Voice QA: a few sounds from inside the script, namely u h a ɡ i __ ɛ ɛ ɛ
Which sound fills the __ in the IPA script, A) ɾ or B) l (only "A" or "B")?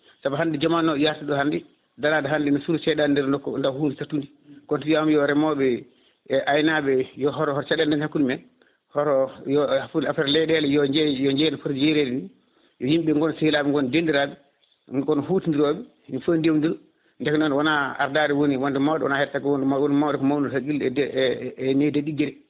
B